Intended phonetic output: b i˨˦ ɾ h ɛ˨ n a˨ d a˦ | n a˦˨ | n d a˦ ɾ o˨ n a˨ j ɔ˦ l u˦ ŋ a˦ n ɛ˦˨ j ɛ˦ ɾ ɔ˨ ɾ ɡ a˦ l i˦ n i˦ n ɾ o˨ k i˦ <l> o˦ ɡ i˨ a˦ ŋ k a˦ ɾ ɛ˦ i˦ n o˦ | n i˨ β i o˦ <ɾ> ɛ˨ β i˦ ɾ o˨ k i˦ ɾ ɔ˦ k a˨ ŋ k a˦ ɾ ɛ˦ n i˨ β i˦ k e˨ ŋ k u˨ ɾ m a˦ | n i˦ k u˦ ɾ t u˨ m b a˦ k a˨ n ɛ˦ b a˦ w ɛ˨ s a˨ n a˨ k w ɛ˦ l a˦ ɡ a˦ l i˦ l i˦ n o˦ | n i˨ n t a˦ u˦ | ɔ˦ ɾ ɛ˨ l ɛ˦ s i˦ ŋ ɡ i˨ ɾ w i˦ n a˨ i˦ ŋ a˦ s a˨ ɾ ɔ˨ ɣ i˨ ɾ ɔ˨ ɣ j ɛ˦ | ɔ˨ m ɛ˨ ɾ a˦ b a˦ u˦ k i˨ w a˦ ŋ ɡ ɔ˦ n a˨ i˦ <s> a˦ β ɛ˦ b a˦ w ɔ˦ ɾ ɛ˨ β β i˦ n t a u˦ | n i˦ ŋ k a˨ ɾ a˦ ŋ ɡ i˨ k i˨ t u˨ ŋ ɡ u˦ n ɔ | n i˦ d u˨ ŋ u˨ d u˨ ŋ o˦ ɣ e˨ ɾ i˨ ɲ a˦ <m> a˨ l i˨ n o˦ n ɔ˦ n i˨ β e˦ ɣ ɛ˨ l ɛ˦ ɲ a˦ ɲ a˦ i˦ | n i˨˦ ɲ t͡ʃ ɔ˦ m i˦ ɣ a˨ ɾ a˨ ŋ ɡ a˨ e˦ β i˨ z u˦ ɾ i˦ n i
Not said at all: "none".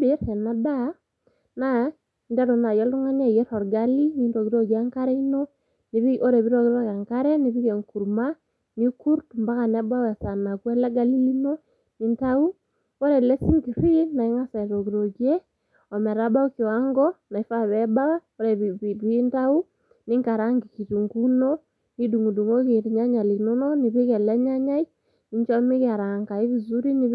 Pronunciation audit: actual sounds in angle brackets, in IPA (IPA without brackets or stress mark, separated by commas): ɾ, ɾ, f, ɲ